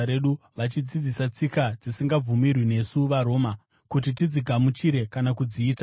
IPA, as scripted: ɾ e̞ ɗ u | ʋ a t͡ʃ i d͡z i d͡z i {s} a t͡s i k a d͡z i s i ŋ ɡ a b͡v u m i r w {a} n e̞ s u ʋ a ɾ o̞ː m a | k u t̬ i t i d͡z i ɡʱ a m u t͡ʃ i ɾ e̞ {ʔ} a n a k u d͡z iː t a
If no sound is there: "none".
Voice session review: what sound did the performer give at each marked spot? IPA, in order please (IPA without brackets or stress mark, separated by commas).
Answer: s, i, k